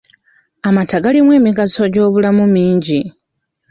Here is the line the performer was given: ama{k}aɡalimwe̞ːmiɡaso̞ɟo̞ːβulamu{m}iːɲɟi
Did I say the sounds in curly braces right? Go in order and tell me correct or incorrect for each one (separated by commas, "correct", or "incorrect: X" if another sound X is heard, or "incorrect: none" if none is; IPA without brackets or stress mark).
incorrect: t, correct